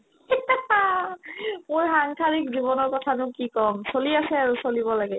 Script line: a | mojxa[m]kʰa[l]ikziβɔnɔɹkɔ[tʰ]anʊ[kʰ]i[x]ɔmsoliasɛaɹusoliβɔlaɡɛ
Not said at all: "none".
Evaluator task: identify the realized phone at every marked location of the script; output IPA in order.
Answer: ŋ, ɹ, tʰ, k, k

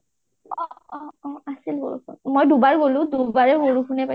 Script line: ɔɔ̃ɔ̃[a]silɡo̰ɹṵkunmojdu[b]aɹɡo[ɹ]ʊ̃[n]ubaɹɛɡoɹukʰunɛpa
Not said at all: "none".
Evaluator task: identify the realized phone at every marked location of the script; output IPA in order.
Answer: a, b, l, d

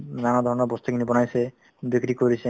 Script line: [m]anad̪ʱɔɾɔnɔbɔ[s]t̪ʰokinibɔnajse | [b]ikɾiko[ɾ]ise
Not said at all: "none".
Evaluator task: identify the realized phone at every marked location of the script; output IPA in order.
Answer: n, s, b, ɾ

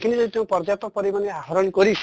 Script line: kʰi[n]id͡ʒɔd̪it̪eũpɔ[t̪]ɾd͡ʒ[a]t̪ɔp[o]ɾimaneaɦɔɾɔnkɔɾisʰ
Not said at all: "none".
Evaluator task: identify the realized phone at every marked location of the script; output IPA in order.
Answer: n, none, a, ɔ

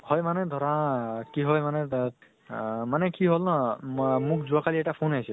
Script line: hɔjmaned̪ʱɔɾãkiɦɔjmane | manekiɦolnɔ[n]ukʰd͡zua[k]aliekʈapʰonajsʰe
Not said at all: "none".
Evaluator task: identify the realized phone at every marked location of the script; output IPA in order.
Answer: m, k

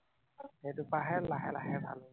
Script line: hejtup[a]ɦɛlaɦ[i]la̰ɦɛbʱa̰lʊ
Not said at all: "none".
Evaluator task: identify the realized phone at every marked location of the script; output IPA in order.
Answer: a, ɛ

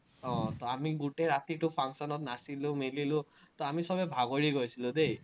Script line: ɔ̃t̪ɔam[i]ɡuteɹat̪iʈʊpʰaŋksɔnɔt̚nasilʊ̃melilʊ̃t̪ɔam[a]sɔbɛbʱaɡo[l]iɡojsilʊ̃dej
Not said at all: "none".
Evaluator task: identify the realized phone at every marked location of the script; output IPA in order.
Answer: i, i, ɹ

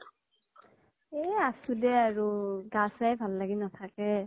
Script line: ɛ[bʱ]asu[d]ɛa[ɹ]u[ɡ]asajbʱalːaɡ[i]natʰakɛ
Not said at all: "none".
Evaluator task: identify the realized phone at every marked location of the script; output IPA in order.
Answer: none, d, ɹ, ɡ, i

